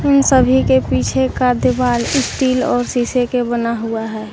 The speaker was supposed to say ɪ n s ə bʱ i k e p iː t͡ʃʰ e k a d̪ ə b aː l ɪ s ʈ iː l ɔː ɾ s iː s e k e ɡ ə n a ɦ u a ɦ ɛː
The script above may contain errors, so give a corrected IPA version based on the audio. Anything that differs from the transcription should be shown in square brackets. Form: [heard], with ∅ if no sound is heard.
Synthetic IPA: ɪ n s ə bʱ i k e p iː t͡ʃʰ e k a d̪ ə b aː l ɪ s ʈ iː l ɔː ɾ s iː s e k e [b] ə n a ɦ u a ɦ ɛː